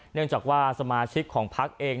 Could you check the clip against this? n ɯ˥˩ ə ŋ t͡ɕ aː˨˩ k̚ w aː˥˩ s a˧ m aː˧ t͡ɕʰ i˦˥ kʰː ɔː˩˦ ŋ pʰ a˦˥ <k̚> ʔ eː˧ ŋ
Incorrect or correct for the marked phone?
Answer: correct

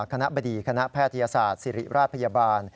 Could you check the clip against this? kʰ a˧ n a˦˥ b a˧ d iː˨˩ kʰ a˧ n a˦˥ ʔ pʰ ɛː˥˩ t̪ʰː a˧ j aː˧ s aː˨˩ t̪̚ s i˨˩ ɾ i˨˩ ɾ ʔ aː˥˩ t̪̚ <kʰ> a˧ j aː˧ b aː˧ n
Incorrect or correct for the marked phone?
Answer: incorrect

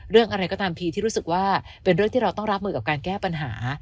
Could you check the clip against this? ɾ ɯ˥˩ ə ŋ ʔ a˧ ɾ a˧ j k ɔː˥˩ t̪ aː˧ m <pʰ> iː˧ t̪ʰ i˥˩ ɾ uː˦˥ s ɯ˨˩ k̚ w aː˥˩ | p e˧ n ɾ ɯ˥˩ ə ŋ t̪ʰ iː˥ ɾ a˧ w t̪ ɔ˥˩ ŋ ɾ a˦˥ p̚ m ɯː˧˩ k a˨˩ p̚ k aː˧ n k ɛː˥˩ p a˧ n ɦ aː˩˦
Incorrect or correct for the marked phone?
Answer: correct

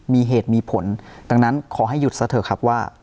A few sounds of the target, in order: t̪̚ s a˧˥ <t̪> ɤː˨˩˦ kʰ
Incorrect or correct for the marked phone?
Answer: incorrect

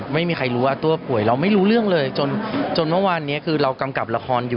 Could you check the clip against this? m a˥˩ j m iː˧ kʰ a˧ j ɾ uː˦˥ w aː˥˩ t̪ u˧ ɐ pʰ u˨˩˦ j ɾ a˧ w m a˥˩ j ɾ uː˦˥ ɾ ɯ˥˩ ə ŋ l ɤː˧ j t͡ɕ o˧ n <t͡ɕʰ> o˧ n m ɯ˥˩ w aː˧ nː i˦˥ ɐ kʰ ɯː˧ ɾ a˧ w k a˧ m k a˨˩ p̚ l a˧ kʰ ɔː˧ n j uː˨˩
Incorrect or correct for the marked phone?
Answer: incorrect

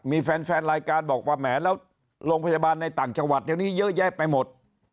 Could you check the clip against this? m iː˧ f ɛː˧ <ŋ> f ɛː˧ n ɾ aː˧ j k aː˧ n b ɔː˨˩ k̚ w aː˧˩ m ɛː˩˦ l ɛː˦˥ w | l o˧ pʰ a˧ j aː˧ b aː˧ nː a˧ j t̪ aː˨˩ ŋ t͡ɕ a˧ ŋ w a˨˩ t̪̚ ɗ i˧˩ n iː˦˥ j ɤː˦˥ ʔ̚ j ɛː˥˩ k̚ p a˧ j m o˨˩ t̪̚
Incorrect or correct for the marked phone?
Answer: incorrect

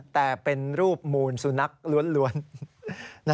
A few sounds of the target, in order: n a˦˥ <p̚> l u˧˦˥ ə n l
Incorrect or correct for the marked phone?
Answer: incorrect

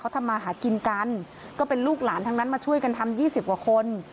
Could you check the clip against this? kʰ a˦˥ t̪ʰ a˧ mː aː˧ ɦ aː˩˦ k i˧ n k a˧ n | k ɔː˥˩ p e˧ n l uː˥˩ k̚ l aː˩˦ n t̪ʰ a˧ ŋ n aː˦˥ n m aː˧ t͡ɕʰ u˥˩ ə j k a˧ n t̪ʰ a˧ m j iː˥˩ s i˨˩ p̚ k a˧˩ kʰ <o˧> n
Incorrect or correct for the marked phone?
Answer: correct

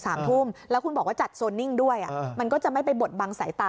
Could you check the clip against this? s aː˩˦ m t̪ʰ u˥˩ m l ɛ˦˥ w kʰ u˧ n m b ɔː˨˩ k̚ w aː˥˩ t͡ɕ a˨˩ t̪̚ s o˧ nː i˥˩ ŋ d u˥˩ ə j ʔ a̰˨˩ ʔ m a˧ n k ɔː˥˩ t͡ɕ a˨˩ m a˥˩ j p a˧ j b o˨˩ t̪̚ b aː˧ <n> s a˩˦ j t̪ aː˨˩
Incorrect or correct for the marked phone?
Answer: incorrect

